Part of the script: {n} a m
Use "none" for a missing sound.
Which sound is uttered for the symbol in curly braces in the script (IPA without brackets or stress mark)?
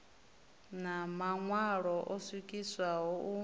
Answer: n